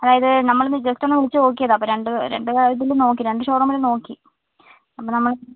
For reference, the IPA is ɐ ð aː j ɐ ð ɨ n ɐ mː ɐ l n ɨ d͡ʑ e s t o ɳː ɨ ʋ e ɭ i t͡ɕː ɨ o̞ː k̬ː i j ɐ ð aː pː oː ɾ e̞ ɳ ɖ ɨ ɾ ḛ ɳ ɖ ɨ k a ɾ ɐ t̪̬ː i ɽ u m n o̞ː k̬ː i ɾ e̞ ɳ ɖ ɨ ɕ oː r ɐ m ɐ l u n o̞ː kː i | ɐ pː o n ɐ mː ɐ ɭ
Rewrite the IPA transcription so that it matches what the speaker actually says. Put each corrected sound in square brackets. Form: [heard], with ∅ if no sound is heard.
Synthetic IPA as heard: ɐ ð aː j ɐ ð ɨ n ɐ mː ɐ [ɭ] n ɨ d͡ʑ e s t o [nː] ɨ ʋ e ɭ i t͡ɕː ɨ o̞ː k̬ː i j ɐ ð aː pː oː ɾ e̞ ɳ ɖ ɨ ɾ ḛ ɳ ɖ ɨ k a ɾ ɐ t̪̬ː i [l] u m n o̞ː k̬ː i ɾ e̞ ɳ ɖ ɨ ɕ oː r ɐ m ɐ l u n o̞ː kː i | ɐ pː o n ɐ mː ɐ ɭ